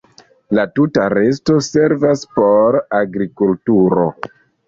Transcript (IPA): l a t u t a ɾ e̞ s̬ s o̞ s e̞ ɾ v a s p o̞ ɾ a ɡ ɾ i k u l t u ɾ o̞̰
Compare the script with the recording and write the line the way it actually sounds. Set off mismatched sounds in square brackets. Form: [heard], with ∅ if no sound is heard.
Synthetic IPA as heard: l a t u t a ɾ e̞ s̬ [t] o̞ s e̞ ɾ v a s p o̞ ɾ a ɡ ɾ i k u l t u ɾ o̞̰